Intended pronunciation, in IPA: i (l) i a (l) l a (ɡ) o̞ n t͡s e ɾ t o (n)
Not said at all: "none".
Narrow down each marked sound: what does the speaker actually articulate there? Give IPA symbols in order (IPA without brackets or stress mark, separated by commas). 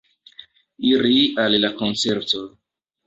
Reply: ɾ, l, k, none